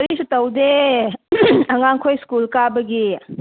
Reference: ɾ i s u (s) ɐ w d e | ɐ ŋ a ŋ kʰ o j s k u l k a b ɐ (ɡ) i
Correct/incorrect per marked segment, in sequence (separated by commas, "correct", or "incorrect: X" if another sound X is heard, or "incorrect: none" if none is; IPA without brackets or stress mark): incorrect: t, correct